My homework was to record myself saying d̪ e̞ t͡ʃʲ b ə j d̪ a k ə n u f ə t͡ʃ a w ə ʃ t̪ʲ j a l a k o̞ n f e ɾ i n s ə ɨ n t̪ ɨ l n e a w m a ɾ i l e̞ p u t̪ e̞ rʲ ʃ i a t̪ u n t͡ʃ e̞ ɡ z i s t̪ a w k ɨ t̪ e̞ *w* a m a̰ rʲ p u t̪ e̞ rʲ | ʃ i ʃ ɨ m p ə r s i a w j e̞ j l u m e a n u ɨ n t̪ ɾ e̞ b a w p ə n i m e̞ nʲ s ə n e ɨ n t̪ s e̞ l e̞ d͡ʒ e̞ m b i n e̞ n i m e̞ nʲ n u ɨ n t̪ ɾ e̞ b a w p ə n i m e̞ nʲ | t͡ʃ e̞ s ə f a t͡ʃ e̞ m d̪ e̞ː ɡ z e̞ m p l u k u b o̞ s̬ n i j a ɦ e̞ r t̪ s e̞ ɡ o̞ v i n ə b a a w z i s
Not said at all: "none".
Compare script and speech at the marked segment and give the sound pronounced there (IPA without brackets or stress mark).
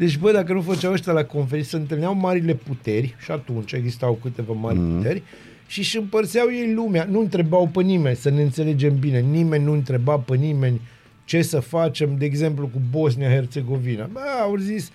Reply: v